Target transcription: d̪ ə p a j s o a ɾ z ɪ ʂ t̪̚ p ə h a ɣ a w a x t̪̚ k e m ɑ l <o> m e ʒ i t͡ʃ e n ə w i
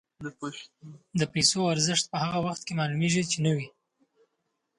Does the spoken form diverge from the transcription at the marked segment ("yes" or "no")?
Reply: yes